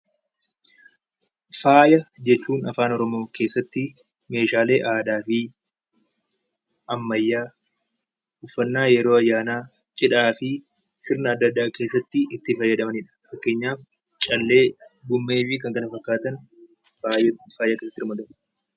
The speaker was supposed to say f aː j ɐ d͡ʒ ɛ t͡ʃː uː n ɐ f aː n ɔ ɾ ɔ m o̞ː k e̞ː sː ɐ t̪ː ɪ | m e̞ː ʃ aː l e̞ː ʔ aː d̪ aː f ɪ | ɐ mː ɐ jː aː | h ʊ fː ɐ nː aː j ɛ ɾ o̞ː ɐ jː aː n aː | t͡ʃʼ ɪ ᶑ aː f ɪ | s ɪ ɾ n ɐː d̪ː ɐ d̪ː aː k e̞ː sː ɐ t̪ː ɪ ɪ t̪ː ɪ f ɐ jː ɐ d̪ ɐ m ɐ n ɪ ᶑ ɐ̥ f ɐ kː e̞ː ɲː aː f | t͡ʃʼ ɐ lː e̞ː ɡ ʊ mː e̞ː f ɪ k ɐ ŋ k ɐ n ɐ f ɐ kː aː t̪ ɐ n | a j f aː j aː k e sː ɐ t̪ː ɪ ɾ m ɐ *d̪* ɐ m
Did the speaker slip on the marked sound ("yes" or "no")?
no